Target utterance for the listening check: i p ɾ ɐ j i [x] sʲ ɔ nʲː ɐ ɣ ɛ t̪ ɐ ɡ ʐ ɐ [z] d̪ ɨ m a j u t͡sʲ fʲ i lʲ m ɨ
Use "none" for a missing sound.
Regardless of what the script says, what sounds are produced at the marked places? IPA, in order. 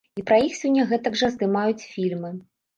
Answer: x, z

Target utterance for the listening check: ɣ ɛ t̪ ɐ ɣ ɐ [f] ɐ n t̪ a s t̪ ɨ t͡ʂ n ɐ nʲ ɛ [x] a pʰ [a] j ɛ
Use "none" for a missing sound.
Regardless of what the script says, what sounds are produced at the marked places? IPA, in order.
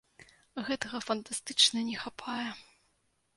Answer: f, x, a

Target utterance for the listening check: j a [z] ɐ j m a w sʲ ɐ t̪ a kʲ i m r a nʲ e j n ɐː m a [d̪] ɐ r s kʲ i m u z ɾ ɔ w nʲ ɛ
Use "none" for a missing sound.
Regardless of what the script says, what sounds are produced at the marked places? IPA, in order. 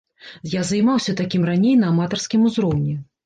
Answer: z, t̪

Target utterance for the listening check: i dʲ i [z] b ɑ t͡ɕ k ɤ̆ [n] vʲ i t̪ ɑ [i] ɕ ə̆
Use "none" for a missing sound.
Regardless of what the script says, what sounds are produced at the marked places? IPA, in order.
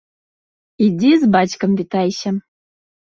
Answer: z, m, j

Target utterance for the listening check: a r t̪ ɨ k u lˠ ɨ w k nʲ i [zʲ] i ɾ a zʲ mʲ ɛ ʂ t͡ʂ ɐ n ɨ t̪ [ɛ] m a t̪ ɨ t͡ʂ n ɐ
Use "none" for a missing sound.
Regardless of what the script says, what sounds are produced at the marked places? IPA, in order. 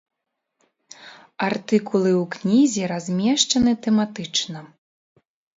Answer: zʲ, ɛ

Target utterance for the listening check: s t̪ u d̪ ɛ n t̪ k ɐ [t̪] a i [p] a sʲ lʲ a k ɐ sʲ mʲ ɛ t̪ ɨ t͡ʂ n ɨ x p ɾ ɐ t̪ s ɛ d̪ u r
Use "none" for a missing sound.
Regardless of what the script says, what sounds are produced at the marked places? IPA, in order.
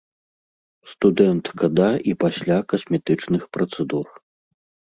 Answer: d̪, p

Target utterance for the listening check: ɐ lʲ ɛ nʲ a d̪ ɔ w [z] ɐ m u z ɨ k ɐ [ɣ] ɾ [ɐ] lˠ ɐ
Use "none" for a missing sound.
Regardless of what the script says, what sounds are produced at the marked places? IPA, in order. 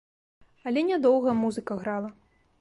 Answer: ɣ, ɣ, a

